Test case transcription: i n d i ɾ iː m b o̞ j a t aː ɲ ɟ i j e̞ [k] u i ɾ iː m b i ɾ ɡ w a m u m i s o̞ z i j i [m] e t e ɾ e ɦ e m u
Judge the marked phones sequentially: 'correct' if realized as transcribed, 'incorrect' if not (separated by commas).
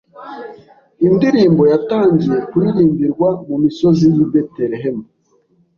correct, incorrect